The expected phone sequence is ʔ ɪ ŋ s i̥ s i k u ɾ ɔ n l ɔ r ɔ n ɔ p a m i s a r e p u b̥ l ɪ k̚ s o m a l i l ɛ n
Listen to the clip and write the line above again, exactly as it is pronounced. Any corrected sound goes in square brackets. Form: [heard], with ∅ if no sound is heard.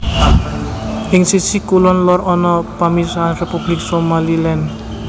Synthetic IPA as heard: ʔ ɪ ŋ s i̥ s i k u [l] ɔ n l ɔ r ɔ n ɔ p a m i s a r e p u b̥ l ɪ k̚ s o m a l i l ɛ n

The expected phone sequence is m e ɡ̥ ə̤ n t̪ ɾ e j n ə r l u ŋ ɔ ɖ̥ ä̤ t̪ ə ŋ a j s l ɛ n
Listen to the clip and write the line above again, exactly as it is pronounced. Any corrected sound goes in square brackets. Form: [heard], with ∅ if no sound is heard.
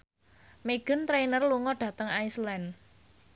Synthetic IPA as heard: m e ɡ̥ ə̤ n t̪ ɾ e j n ə r l u ŋ ɔ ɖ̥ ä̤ t̪ ə ŋ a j s l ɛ n

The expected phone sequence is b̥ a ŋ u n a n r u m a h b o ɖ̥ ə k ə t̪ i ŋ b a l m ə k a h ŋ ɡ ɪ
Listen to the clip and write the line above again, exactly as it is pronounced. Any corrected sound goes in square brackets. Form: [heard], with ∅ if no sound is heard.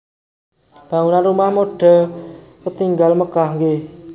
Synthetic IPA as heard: b̥ a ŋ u n a n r u m a h [m] o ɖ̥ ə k ə t̪ i ŋ [ɡ] a l m ə k a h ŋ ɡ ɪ

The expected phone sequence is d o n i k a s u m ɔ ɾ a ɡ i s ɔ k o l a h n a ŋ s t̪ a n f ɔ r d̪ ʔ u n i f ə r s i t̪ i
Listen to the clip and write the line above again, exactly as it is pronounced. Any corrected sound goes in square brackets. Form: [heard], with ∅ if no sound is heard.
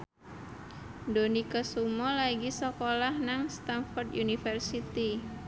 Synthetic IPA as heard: d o n i k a s u m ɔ [l] a ɡ i s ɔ k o l a h n a ŋ s t̪ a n f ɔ r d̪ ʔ u n i f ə r s i t̪ i

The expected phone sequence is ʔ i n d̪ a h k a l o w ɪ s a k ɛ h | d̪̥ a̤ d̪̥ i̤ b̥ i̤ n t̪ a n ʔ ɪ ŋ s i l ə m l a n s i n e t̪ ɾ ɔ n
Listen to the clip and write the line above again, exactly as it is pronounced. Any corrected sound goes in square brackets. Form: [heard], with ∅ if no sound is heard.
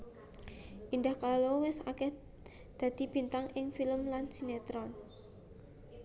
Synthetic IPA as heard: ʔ i n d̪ a h k a l o w ɪ s a k ɛ h | d̪̥ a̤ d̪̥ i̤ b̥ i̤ n t̪ a [ŋ] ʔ ɪ ŋ [f] i l ə m l a n s i n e t̪ ɾ ɔ n

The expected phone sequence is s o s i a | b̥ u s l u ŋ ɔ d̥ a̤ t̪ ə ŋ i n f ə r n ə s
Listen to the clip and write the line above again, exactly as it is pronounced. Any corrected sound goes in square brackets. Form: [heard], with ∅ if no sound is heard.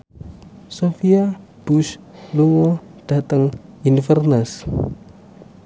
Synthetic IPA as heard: s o [f] i a | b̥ u s l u ŋ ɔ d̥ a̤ t̪ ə ŋ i n f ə r n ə s

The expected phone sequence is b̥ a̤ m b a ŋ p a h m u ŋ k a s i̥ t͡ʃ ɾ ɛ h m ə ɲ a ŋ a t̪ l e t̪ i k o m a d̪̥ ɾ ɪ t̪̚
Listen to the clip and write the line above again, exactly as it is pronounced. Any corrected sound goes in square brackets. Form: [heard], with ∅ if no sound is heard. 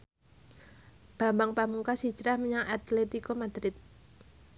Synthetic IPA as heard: b̥ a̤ m b a ŋ p a [∅] m u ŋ k a s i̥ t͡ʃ ɾ [a] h m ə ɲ a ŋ a t̪ l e t̪ i k o m a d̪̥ ɾ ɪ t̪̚

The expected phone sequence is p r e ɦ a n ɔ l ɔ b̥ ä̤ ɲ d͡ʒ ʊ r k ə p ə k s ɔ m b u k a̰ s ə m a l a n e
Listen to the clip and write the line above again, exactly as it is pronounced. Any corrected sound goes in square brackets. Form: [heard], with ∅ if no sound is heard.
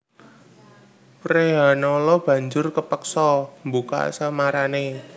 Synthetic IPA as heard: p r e ɦ a n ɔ l ɔ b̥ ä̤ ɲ d͡ʒ ʊ r k ə p ə k s ɔ m b u k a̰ s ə m a [ɾ] a n e

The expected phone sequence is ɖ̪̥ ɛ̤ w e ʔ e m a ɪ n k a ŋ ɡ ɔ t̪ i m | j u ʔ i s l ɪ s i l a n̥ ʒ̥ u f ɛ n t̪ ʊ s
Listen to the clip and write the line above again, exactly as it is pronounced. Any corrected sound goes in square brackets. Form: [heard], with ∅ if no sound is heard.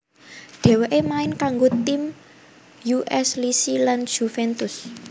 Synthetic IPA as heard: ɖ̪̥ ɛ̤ w e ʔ e m a ɪ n k a ŋ ɡ [o] t̪ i m | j u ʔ [ɛ] s l [i] s i l a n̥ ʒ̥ u f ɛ n t̪ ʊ s

